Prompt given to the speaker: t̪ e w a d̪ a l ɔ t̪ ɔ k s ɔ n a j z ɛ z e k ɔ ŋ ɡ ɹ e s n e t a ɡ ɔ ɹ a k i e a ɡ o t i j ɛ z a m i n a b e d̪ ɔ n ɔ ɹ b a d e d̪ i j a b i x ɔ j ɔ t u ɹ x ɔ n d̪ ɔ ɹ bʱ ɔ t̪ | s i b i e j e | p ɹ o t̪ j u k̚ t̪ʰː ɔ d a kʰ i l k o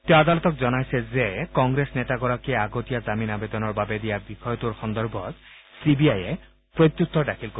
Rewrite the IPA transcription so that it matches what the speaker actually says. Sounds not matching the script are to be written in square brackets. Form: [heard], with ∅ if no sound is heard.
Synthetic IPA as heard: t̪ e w a d̪ a l ɔ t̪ ɔ k [z] ɔ n a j [s] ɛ z e k ɔ ŋ ɡ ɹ e s n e t a ɡ ɔ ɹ a k i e a ɡ o t i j [a] z a m i n a b e d̪ ɔ n ɔ ɹ b a [b] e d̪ i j a b i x ɔ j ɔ t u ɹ x ɔ n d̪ ɔ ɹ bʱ ɔ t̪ | s i b i [a] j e | p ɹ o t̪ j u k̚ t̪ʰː ɔ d a kʰ i l k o